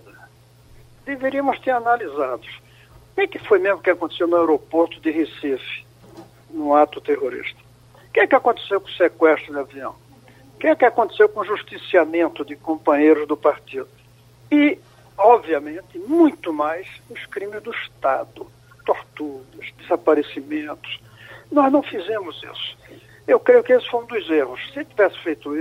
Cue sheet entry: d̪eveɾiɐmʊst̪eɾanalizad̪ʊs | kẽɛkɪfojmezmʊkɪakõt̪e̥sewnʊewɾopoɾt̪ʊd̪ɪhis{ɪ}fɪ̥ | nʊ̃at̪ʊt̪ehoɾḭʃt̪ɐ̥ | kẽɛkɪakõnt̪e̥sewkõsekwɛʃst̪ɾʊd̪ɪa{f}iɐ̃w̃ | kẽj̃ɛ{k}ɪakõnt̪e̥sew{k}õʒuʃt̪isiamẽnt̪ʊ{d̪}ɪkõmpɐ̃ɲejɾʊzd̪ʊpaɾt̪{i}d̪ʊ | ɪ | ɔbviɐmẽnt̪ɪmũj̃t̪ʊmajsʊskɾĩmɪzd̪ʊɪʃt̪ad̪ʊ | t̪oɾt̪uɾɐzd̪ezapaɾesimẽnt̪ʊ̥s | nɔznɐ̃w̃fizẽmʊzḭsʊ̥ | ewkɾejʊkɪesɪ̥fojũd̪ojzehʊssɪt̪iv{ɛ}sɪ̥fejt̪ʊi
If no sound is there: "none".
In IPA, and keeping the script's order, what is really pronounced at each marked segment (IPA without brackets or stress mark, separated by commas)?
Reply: i, v, k, k, d̪, i, ɛ